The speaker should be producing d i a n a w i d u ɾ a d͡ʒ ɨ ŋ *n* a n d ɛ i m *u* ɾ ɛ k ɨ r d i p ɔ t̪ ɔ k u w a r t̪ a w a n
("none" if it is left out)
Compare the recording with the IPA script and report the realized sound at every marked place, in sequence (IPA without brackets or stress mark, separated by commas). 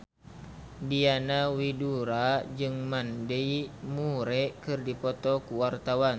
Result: m, u